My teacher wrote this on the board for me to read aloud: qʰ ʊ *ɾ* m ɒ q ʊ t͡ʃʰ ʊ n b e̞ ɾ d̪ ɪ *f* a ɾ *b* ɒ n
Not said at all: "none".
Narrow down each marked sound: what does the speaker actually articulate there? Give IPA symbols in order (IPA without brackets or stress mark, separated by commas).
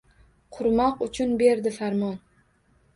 ɾ, f, m